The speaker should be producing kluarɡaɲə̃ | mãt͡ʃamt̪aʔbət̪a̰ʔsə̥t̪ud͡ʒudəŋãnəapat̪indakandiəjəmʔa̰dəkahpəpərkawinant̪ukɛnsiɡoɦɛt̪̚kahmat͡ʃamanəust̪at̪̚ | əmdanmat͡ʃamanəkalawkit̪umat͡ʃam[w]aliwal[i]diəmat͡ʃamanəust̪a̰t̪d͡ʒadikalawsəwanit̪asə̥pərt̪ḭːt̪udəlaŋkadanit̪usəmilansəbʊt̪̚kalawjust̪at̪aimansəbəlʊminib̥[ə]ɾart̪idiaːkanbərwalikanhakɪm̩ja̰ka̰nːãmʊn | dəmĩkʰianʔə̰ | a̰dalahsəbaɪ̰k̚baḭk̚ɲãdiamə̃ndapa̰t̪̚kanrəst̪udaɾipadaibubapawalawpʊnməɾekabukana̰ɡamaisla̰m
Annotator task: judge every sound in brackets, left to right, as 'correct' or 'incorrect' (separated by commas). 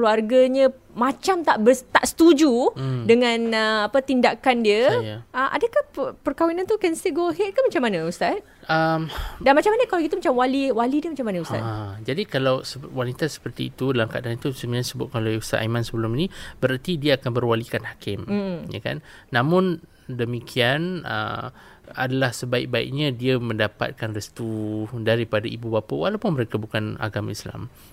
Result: correct, correct, correct